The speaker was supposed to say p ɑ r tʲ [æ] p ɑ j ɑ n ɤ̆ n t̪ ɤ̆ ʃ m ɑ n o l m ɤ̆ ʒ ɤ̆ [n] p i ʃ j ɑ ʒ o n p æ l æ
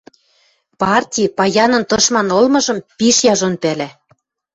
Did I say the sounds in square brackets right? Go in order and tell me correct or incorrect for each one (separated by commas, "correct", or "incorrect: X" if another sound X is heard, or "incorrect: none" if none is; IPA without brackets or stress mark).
incorrect: i, incorrect: m